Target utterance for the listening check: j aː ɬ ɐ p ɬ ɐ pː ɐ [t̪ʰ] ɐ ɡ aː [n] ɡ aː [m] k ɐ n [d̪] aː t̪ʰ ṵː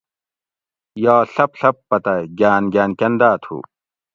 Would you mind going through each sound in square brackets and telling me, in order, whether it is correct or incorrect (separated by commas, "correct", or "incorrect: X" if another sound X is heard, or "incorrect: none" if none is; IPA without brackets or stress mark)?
incorrect: t̪, correct, incorrect: n, correct